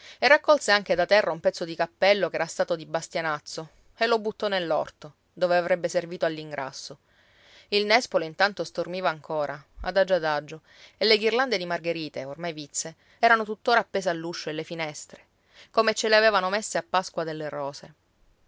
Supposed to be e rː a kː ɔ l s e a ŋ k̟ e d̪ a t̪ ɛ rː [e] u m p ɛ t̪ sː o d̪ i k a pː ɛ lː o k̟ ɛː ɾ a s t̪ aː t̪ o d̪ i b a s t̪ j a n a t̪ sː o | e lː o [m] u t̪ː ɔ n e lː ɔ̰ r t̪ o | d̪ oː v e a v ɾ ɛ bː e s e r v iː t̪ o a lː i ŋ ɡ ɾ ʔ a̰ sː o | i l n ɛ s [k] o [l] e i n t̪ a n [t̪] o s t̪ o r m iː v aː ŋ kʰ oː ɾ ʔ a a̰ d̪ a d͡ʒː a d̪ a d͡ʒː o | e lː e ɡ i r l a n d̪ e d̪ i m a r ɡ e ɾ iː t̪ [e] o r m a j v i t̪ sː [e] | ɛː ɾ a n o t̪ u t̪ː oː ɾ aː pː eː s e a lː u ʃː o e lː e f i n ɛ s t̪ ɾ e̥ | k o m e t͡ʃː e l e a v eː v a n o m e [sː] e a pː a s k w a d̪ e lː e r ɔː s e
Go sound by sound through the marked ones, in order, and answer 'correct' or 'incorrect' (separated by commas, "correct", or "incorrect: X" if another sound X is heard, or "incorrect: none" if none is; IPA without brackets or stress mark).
incorrect: a, incorrect: b, incorrect: p, correct, correct, correct, correct, correct